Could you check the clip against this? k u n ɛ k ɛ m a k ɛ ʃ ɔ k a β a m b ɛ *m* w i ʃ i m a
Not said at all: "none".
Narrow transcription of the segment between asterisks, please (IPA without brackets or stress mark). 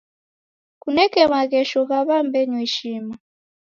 ɲ